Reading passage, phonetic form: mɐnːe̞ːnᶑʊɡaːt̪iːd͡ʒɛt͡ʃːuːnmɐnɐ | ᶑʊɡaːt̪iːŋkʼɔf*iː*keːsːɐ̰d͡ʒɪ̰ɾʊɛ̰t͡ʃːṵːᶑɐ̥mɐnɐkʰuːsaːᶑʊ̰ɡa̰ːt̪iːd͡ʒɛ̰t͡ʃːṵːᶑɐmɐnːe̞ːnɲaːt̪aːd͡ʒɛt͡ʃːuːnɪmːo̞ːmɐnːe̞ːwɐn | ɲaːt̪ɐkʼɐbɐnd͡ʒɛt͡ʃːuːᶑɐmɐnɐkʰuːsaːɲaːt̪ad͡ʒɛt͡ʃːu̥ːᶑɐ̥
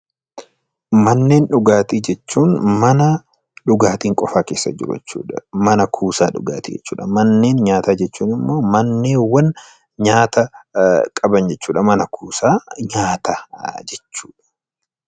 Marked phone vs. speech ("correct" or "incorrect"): incorrect